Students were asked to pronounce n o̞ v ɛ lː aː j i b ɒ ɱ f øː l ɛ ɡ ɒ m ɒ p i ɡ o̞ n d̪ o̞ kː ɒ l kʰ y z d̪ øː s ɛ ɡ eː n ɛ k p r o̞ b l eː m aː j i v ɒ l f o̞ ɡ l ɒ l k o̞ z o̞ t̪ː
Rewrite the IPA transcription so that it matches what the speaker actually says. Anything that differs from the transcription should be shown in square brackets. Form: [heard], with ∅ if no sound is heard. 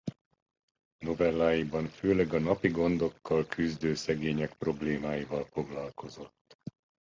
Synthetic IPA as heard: n o̞ v ɛ lː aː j i b ɒ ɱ f øː l ɛ ɡ ɒ [n] ɒ p i ɡ o̞ n d̪ o̞ kː ɒ l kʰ y z d̪ øː s ɛ ɡ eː [ɲ] ɛ k p r o̞ b l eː m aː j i v ɒ l f o̞ ɡ l ɒ l k o̞ z o̞ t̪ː